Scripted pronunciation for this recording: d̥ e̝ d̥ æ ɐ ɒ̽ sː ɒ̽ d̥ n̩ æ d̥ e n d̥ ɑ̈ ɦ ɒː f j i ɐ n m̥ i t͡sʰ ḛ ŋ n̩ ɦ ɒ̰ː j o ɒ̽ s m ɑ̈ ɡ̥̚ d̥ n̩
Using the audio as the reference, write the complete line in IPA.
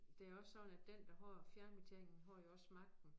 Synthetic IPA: d̥ e̝ æ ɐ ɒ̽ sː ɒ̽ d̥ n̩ æ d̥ e n d̥ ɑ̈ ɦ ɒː f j æ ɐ n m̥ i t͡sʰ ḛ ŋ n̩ ɦ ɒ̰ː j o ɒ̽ s m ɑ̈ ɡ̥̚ d̥ n̩

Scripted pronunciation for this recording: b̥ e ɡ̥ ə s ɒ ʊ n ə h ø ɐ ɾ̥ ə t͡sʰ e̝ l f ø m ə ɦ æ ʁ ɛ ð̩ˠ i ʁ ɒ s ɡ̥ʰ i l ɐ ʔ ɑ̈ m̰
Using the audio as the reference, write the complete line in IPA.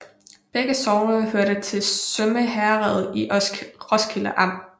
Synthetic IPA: b̥ e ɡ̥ ə s ɒ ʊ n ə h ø ɐ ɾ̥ ə t͡sʰ e̝ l s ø m ə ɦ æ ʁ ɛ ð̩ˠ i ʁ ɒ s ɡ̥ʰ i l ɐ ʔ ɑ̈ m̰

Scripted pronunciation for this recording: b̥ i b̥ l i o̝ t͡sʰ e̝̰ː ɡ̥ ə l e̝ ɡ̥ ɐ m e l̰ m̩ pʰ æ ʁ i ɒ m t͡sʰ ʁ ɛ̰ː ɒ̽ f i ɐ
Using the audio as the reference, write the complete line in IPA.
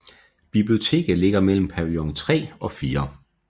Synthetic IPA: b̥ i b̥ l i o̝ t͡sʰ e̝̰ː ɡ̥ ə l e̝ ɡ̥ ɐ m e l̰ m̩ pʰ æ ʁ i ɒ ŋ t͡sʰ ʁ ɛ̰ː ɒ̽ f iː ɐ

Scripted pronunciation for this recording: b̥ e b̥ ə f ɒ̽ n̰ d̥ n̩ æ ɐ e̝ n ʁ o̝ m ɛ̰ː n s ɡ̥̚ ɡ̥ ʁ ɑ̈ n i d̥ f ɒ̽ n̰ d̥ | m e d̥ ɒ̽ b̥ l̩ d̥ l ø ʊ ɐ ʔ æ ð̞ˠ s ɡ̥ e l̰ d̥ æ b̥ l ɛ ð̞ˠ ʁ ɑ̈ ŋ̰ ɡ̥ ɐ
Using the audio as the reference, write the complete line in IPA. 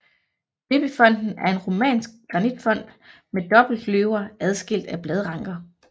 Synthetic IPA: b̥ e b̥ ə f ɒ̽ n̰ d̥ n̩ æ ɐ e̝ n ʁ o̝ m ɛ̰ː n s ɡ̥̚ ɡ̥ ʁ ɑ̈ n i d̥ f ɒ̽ n̰ d̥ | m e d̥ ɒ̽ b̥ l̩ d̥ l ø ʊ ɐ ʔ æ ð̞ˠ s ɡ̥ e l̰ d̥ æ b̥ l ɛ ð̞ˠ ʁ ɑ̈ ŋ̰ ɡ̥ ɐ

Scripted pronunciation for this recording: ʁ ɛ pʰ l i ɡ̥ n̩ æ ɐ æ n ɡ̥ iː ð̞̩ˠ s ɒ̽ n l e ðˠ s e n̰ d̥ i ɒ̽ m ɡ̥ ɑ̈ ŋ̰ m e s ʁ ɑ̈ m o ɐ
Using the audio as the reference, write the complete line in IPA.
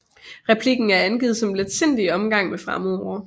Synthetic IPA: ʁ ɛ pʰ l i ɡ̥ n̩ æ ɐ æ n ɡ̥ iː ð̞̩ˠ s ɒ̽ m l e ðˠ s e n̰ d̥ i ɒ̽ m ɡ̥ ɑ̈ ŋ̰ m e f ʁ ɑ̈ m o ɐ

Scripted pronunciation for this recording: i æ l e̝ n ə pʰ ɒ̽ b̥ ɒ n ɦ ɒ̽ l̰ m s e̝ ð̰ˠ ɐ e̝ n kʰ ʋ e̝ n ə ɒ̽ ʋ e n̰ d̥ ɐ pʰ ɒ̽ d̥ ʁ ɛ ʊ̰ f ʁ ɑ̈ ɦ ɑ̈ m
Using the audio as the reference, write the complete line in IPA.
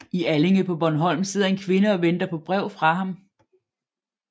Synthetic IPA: i æ l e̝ ŋ ə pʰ ɒ̽ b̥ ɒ n ɦ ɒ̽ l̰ m s e̝ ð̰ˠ ɐ e̝ n kʰ ʋ e̝ n ə ɒ̽ ʋ e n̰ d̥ ɐ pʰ ɒ̽ b̥ ʁ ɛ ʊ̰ f ʁ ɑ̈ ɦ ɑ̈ m

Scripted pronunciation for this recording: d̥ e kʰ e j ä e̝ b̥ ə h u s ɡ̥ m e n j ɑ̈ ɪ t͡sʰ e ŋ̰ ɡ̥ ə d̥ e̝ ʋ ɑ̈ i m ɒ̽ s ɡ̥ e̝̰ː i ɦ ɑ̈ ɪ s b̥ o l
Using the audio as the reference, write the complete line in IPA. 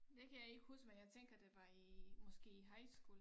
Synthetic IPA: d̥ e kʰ æ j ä e̝ ɡ̥ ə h u s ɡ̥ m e n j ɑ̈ ɪ t͡sʰ e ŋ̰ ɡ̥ ɐ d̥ e̝ ʋ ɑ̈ i m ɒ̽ s ɡ̥ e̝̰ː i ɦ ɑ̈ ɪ s ɡ̥ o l

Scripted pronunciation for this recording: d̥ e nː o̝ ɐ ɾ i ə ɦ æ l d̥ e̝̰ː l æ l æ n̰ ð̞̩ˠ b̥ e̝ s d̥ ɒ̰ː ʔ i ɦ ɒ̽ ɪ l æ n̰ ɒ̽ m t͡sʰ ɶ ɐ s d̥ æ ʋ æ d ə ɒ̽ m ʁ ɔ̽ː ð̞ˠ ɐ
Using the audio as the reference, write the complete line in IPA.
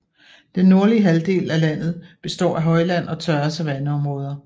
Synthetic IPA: d̥ e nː o̝ ɐ l i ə ɦ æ l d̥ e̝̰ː l æ l æ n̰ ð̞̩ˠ b̥ e̝ s d̥ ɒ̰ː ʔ æ ɦ ɒ̽ ɪ l æ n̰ ɒ̽ t͡sʰ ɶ ɐ s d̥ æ ʋ æ n ə ɒ̽ m ʁ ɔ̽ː ð̞ˠ ɐ

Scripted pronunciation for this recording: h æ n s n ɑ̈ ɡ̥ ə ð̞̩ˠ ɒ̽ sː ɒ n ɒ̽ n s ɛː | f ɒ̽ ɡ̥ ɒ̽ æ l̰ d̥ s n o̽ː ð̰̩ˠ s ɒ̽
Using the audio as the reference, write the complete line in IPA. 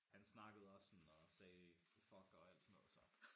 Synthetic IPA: h æ n s n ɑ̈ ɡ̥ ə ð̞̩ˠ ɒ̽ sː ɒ n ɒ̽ s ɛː | f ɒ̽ ɡ̥ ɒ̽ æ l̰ d̥ s n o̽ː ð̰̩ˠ s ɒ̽

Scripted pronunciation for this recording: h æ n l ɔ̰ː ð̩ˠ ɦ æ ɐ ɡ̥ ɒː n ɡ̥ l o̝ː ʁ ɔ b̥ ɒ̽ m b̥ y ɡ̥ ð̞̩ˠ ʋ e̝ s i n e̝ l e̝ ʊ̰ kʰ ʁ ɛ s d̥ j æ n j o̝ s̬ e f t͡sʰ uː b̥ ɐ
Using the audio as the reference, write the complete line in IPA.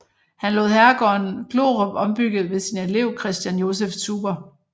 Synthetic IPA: h æ n l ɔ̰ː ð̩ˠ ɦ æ ɐ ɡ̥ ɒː n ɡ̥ l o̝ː ʁ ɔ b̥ ɒ̽ m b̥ y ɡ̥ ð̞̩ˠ ʋ e̝ s i n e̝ l e̝ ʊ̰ kʰ ʁ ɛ s d̥ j æ n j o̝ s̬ e f t͡sʰ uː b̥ ɐ

